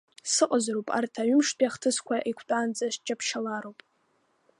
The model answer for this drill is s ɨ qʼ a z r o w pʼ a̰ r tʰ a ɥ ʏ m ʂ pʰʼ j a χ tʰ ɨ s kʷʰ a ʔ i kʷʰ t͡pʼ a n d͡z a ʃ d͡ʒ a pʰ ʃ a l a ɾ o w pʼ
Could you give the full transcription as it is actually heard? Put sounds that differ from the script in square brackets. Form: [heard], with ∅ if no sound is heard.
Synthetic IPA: s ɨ qʼ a z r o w pʼ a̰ r tʰ a ɥ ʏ m ʂ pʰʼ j a χ tʰ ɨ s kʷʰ a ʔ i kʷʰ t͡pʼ a n d͡z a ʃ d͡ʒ a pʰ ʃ a l a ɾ o w pʼ